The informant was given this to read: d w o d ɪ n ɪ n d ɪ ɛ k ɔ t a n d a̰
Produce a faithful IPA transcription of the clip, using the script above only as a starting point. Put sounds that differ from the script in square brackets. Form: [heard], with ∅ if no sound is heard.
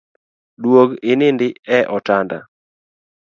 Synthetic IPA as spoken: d w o [ɡ] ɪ n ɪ n d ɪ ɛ [ʔ] ɔ t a n d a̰